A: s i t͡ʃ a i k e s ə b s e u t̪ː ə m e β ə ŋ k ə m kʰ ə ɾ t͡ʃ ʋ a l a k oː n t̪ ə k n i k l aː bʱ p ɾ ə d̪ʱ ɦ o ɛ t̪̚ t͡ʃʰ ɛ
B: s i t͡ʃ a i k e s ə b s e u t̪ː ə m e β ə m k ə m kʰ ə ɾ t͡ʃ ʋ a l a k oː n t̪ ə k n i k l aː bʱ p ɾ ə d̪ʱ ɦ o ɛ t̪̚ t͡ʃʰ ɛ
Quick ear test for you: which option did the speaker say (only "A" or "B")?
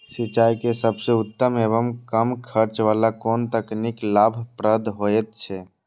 B